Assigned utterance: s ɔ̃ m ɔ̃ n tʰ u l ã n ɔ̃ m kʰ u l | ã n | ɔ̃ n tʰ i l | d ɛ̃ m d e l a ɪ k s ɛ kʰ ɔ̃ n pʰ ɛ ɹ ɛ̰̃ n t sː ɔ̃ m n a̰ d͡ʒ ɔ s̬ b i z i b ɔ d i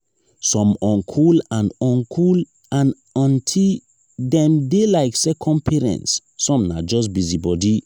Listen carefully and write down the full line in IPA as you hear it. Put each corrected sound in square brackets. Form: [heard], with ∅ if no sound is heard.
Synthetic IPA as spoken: s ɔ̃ m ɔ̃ n [kʰ] u l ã n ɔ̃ [n] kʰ u l | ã n | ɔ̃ n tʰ i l | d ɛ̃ m d e l a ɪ k s ɛ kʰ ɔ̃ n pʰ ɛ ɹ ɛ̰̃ n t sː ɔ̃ m n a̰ d͡ʒ ɔ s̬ b i z i b ɔ d i